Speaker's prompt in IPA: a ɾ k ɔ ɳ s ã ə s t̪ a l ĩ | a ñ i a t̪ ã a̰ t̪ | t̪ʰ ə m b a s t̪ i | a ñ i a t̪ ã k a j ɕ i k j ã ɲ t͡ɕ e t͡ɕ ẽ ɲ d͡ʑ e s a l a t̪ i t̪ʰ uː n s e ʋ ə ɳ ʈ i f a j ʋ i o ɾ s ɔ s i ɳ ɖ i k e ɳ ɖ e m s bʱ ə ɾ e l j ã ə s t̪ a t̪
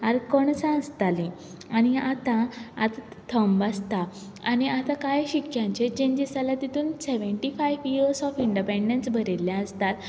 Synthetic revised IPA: a ɾ k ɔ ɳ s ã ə s t̪ a l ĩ | a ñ i a t̪ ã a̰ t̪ | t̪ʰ ə m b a s t̪ a | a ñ i a t̪ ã k a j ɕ i k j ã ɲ t͡ɕ e t͡ɕ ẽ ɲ d͡ʑ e s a l a t̪ i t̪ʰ uː n s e ʋ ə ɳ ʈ i f a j ʋ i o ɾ s ɔ f i ɳ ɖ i p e ɳ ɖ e n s bʱ ə ɾ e l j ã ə s t̪ a t̪

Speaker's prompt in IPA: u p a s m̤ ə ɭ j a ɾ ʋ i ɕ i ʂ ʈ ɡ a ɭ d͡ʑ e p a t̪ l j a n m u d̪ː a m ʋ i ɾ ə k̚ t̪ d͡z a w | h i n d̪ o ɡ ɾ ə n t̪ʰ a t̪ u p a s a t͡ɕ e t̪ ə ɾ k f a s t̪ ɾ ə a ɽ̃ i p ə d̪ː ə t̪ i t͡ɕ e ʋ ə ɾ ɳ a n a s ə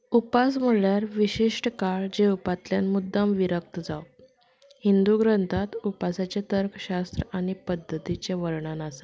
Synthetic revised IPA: u p a s m̤ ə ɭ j a ɾ ʋ i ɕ i ʂ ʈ k a ɭ d͡ʑ e p a t̪ l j a n m u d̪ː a m ʋ i ɾ ə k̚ t̪ d͡z a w | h i n d̪ u ɡ ɾ ə n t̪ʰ a t̪ u p a s a t͡ɕ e t̪ ə ɾ k ɕ a s t̪ ɾ ə a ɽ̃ i p ə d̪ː ə t̪ i t͡ɕ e ʋ ə ɾ ɳ a n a s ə

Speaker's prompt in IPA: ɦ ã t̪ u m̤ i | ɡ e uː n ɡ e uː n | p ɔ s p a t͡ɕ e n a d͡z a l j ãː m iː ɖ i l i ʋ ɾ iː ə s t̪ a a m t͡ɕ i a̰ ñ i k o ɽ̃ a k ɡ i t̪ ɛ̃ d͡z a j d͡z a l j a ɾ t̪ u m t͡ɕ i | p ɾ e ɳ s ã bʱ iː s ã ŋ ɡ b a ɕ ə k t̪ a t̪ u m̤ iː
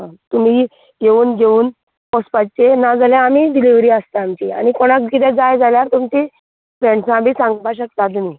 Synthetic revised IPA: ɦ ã t̪ u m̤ i | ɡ e uː n ɡ e uː n | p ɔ s p a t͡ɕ e n a d͡z a l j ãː m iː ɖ i l i ʋ ɾ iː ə s t̪ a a m t͡ɕ i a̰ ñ i k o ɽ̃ a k k i t̪ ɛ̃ d͡z a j d͡z a l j a ɾ t̪ u m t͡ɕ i | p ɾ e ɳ s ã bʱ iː s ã ŋ ɡ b a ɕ ə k t̪ a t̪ u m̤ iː

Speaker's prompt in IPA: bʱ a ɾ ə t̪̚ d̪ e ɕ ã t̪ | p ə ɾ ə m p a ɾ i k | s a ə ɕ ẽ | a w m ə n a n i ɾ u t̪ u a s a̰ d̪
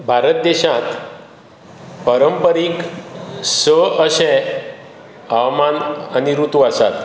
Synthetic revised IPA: bʱ a ɾ ə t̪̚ d̪ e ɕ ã t̪ | p ə ɾ ə m p ə ɾ i k | s ə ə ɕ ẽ | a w m a n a n i ɾ u t̪ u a s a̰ t̪

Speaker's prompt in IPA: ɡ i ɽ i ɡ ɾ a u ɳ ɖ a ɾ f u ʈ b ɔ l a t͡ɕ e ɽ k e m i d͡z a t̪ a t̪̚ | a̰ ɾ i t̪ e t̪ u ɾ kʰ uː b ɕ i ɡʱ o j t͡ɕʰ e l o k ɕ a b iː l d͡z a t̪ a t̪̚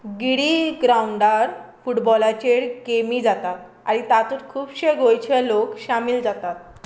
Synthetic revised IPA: ɡ i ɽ i ɡ ɾ a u ɳ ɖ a ɾ f u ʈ b ɔ l a t͡ɕ e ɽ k e m i d͡z a t̪ a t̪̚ | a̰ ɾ i t̪ a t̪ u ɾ kʰ uː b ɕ e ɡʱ o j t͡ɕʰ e l o k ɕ a m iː l d͡z a t̪ a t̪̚

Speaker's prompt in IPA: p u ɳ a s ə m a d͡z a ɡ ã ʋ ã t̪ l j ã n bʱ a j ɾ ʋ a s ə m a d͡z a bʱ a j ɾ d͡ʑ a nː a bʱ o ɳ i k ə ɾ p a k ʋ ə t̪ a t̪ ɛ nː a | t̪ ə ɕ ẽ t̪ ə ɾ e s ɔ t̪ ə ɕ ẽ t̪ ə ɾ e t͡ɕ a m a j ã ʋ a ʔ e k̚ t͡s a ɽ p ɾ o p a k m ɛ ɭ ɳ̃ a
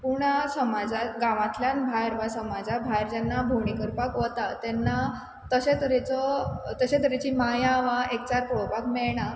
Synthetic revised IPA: p u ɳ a s ə m a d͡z a ɡ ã ʋ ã t̪ l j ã n bʱ a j ɾ ʋ a s ə m a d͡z a bʱ a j ɾ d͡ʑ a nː a bʱ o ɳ i k ə ɾ p a k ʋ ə t̪ a t̪ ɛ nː a | t̪ ə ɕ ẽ t̪ ə ɾ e t͡s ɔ t̪ ə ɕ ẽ t̪ ə ɾ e t͡ɕ i m a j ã ʋ a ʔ e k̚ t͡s a ɾ p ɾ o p a k m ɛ ɭ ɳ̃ a

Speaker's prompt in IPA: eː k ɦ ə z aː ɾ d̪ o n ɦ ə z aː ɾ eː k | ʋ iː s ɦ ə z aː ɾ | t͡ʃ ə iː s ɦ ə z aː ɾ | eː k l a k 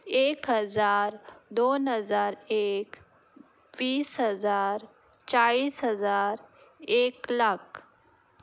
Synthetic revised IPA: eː k ɦ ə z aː ɾ d̪ o n ɦ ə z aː ɾ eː k | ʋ iː s ɦ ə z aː ɾ | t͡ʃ a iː s ɦ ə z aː ɾ | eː k l a k

